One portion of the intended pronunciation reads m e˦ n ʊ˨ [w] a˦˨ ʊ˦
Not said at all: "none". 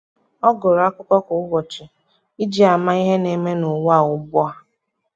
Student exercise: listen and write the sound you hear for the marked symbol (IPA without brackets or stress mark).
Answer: w